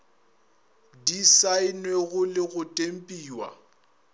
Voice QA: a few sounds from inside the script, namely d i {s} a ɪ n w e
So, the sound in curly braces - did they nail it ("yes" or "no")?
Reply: yes